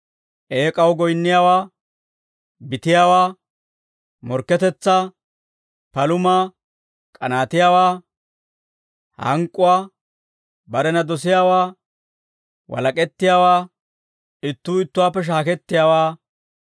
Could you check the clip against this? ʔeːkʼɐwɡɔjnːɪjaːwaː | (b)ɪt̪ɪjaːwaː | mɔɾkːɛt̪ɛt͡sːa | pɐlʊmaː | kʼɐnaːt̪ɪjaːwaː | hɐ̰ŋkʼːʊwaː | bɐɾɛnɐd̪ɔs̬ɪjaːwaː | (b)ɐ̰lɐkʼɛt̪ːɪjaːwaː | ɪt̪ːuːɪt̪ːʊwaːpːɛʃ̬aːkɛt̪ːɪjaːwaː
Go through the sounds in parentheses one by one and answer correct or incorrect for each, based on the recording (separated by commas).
correct, incorrect